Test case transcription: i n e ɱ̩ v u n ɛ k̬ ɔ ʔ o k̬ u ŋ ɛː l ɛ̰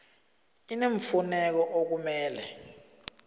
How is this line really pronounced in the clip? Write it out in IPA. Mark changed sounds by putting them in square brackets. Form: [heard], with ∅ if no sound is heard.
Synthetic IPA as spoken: i n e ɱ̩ [f] u n ɛ k̬ ɔ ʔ o k̬ u [m] ɛː l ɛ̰